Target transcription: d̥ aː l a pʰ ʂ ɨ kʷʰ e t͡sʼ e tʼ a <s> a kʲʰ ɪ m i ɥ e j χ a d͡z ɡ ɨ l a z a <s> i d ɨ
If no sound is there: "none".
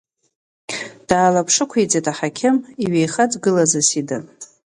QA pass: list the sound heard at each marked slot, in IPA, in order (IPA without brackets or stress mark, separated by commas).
ħ, s